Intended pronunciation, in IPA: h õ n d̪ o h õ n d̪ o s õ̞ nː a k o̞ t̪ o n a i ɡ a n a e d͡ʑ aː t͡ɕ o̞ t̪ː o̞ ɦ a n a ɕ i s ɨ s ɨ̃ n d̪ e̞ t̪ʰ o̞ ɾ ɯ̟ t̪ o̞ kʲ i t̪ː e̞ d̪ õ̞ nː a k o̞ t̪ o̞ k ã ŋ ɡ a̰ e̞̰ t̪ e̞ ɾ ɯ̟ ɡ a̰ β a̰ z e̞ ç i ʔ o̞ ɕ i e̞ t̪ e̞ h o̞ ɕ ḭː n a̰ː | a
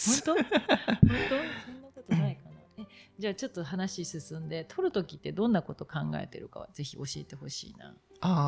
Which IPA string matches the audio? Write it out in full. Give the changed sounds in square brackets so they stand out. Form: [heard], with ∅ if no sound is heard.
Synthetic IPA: h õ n [t̪] o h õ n [t̪] o s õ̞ nː a k o̞ t̪ o n a i [k] a n a e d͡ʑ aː t͡ɕ o̞ t̪ː o̞ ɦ a n a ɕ i s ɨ s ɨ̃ n d̪ e̞ t̪ʰ o̞ ɾ ɯ̟ t̪ o̞ kʲ i t̪ː e̞ d̪ õ̞ nː a k o̞ t̪ o̞ k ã ŋ ɡ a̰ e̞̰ t̪ e̞ ɾ ɯ̟ [k] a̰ β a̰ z e̞ ç i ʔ o̞ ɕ i e̞ t̪ e̞ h o̞ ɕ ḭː n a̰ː | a